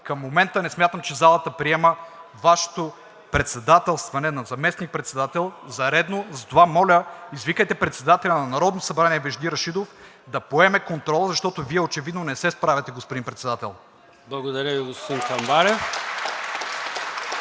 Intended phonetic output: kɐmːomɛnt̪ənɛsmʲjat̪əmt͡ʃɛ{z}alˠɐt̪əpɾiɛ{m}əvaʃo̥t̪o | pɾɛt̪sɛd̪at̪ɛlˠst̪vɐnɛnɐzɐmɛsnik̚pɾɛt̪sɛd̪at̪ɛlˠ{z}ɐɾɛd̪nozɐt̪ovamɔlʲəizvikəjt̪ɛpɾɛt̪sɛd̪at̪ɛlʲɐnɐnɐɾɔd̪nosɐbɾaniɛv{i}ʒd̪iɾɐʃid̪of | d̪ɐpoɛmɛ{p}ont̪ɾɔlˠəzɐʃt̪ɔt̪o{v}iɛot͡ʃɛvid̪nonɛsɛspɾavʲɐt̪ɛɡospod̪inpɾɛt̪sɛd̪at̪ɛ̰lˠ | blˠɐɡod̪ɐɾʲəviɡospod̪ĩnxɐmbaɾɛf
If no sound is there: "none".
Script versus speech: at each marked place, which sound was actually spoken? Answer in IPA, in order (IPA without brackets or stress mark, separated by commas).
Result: z, m, z, ɛ, k, v